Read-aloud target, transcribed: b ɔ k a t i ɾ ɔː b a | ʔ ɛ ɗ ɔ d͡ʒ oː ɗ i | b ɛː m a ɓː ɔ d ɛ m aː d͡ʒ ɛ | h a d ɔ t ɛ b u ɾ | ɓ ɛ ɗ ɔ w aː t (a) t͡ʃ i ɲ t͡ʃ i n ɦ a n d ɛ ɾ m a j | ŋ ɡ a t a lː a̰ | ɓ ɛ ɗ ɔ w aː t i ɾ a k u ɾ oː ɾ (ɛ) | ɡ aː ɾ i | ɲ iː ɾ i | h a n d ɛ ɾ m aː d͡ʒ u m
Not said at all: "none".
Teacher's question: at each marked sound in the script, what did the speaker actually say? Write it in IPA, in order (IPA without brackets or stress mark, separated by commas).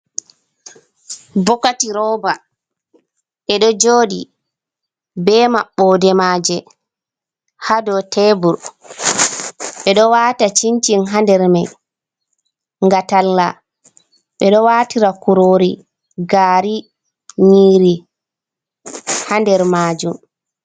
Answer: a, i